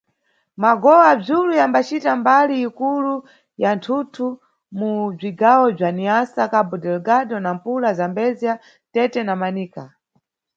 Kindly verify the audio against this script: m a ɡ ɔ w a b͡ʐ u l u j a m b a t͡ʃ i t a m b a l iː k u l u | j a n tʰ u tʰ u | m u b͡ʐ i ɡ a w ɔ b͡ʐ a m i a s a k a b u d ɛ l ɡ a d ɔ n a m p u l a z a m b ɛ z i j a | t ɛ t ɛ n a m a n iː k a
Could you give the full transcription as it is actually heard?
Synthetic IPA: m a ɡ ɔ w a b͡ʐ u l u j a m b a t͡ʃ i t a m b a l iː k u l u | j a n tʰ u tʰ u | m u b͡ʐ i ɡ a w ɔ b͡ʐ a n i a s a k a b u d ɛ l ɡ a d ɔ n a m p u l a z a m b ɛ z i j a | t ɛ t ɛ n a m a n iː k a